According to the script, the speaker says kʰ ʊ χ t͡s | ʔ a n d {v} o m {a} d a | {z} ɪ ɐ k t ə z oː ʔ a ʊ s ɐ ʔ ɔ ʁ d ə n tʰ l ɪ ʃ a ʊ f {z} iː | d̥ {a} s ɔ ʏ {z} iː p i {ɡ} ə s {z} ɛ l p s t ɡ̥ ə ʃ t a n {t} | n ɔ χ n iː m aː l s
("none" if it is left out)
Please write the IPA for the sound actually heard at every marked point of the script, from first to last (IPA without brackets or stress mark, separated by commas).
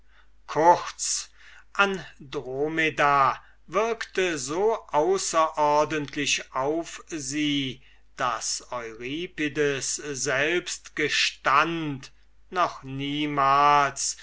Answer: ʁ, e, v, z, a, ʁ, d, z, t